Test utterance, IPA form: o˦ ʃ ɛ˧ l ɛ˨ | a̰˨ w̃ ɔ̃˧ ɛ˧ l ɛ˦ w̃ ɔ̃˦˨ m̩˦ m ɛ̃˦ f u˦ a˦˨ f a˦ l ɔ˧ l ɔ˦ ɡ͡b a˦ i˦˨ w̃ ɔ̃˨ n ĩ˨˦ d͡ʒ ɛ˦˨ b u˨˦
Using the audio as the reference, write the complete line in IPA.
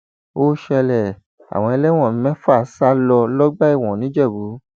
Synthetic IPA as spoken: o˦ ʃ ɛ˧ l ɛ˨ | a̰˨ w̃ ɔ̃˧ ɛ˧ l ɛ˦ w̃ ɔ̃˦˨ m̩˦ m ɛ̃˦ f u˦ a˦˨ s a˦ l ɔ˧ l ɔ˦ ɡ͡b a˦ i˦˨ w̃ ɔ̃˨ n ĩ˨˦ d͡ʒ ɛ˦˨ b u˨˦